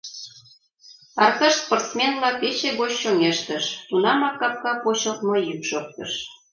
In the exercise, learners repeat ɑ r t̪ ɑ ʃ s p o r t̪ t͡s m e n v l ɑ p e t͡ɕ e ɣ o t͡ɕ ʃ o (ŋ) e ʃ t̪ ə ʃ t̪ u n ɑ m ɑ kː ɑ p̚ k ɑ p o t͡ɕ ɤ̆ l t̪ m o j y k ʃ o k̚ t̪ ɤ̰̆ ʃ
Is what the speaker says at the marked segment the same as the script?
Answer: yes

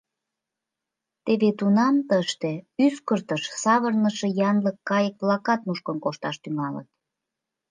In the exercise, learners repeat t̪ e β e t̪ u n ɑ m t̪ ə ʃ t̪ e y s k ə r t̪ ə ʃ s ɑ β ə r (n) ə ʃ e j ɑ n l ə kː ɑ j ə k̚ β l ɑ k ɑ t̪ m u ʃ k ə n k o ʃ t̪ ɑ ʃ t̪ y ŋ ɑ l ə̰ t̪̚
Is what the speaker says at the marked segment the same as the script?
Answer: yes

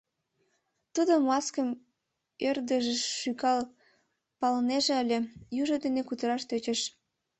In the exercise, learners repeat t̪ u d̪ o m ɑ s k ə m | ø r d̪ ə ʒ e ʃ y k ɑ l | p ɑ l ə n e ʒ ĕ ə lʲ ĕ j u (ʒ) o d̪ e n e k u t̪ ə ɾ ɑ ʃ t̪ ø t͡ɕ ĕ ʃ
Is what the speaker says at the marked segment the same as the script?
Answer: yes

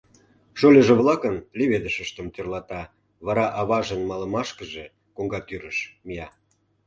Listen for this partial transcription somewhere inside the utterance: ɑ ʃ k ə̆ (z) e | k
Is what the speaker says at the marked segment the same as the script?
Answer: no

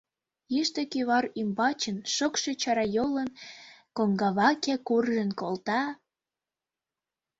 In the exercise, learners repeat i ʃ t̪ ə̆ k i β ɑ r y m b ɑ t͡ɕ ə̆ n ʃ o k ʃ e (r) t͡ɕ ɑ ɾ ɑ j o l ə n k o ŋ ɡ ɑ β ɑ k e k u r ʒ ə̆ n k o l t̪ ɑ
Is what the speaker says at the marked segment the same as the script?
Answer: no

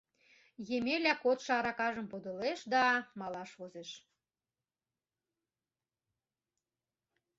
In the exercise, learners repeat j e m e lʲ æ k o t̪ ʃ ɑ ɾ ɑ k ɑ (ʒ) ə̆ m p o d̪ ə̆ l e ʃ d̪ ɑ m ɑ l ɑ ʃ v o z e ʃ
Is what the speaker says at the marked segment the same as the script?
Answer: yes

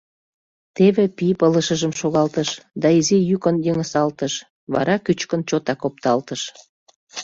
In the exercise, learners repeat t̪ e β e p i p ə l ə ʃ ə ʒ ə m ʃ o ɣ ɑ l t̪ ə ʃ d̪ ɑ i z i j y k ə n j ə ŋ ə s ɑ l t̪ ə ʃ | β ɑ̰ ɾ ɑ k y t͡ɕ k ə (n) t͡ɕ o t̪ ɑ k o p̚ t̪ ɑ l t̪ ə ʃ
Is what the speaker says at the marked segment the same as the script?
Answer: yes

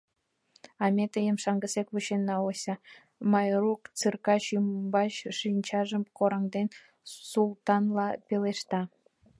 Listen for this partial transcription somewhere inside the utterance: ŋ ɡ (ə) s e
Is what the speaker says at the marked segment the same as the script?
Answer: yes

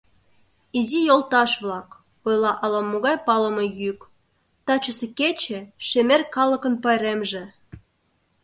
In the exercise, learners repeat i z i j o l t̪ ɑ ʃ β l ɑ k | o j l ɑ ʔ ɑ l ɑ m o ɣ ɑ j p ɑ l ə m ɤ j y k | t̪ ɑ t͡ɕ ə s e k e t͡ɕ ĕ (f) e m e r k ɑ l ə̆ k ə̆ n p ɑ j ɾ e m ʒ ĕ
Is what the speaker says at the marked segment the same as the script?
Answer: no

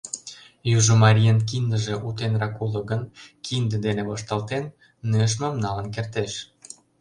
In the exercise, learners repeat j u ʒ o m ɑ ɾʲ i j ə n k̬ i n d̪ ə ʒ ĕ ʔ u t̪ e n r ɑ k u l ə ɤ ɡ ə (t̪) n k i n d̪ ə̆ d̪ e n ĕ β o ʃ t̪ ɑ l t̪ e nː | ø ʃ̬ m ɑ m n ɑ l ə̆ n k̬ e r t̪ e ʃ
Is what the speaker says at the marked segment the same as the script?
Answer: no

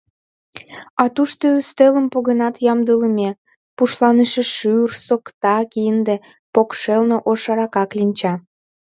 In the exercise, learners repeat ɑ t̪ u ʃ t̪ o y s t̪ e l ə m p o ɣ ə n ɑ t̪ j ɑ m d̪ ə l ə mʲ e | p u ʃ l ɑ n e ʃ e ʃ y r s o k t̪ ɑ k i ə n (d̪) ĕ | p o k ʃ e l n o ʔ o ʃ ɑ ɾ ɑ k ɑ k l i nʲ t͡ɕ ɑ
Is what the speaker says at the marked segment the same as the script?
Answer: yes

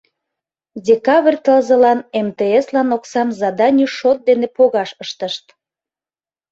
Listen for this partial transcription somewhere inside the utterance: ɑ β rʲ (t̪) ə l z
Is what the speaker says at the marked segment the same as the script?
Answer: yes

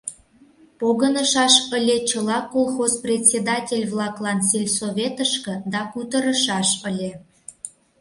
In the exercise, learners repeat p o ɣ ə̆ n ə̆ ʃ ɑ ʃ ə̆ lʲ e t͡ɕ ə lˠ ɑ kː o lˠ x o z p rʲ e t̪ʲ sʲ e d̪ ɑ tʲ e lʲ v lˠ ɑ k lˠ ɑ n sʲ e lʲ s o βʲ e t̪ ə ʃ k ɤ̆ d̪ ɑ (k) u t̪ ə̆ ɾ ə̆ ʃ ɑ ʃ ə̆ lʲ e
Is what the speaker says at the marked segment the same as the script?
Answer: yes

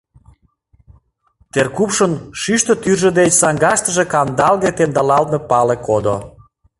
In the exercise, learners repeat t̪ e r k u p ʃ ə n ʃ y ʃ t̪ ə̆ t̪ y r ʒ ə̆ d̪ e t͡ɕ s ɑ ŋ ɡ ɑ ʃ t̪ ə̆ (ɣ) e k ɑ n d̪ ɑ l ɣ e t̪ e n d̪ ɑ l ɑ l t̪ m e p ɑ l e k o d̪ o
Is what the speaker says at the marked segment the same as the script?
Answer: no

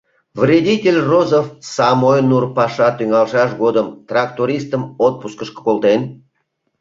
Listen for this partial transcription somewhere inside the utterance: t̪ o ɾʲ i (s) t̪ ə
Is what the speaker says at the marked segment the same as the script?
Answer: yes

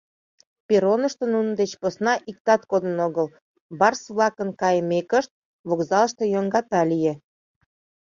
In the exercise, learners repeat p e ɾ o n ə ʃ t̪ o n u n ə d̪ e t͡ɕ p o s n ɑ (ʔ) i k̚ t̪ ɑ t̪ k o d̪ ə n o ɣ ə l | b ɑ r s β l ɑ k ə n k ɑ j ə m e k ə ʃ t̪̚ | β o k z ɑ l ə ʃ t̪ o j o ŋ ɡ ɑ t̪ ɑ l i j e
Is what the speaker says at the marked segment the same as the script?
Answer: yes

